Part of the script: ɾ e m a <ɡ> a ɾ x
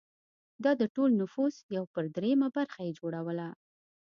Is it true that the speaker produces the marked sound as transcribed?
no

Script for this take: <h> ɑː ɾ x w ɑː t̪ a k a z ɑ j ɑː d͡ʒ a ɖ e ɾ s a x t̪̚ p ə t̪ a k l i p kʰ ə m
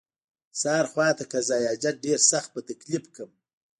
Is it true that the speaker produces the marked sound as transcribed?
no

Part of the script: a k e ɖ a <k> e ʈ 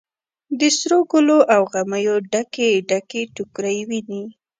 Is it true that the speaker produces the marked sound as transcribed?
yes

